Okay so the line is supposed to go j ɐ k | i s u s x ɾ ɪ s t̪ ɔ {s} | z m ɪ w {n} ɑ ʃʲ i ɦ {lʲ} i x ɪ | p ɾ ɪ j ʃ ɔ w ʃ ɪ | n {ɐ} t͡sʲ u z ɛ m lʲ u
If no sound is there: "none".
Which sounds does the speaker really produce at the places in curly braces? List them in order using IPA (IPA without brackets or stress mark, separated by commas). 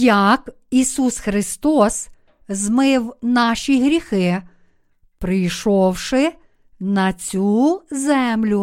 s, n, ɾʲ, ɐ